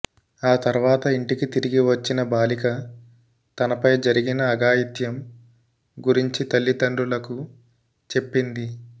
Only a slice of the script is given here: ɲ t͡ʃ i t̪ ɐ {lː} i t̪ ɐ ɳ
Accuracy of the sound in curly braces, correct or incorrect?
correct